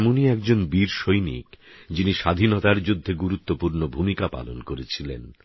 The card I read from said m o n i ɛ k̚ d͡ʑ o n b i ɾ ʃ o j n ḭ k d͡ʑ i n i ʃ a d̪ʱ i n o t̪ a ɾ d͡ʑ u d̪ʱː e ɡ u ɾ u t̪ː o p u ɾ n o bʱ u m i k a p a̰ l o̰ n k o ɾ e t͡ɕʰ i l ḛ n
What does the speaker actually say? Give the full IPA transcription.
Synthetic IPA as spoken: m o n i ɛ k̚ d͡ʑ o n b i ɾ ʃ o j n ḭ k d͡ʑ i n i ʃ a d̪ʱ i n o t̪ a ɾ d͡ʑ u d̪ʱː e ɡ u ɾ u t̪ː o p u ɾ n o bʱ u m i k a p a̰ l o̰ n k o ɾ e t͡ɕʰ i l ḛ n